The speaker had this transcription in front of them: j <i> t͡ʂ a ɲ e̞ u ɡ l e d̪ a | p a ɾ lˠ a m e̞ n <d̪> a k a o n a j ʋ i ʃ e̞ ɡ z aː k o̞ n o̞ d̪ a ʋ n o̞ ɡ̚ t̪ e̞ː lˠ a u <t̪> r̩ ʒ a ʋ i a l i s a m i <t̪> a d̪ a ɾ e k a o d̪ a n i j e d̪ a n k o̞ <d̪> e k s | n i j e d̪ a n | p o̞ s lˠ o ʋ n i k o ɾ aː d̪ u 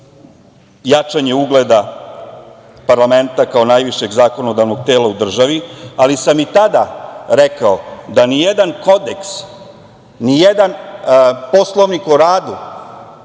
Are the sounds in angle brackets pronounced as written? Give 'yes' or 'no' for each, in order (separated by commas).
no, no, no, yes, yes